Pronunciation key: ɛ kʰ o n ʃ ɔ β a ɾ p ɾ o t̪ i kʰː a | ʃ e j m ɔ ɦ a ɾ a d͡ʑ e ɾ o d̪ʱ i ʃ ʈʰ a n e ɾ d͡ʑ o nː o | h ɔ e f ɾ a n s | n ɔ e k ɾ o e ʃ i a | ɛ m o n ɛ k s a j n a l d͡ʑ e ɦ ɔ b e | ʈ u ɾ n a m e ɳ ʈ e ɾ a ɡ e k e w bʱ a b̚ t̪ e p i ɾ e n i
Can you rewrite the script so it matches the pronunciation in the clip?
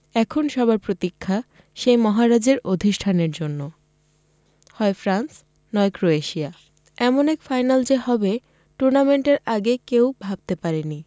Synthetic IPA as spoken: ɛ kʰ o n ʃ ɔ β a ɾ p ɾ o t̪ i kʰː a | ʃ e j m ɔ ɦ a ɾ a d͡ʑ e ɾ o d̪ʱ i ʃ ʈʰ a n e ɾ d͡ʑ o nː o | h ɔ e f ɾ a n s | n ɔ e k ɾ o e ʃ i a | ɛ m o n ɛ k f a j n a l d͡ʑ e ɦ ɔ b e | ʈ u ɾ n a m e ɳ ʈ e ɾ a ɡ e k e w bʱ a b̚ t̪ e p a ɾ e n i